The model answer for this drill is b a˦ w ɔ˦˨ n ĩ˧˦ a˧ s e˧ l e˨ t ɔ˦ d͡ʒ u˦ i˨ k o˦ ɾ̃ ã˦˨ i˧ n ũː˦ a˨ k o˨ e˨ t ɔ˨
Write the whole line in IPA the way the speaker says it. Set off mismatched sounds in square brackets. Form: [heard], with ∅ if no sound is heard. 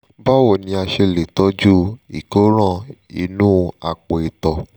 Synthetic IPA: b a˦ w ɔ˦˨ n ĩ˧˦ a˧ [ʃ] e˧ l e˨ t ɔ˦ d͡ʒ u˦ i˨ k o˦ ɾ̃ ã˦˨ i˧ n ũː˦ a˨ [k͡p] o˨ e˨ t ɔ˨